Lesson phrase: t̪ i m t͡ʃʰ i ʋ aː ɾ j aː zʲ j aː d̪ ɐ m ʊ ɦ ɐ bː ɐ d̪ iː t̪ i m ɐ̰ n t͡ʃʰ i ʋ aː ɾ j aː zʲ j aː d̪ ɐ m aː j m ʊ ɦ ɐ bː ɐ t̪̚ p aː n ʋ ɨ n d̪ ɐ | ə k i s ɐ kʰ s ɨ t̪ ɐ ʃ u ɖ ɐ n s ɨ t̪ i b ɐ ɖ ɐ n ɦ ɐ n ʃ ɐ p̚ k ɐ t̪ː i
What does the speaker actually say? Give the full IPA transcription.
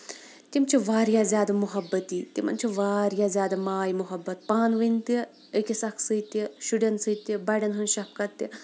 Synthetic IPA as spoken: t̪ i m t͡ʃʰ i ʋ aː ɾ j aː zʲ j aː d̪ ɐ m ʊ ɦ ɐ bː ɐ t̪ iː t̪ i m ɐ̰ n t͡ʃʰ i ʋ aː ɾ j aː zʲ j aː d̪ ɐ m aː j m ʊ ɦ ɐ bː ɐ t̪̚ p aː n ʋ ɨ n t̪ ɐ | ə k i s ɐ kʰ s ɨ t̪ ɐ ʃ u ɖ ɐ n s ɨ t̪ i b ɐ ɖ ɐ n ɦ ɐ n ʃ ɐ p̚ k ɐ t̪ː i